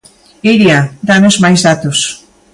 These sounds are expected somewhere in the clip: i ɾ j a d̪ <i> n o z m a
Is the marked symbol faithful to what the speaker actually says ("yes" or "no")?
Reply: no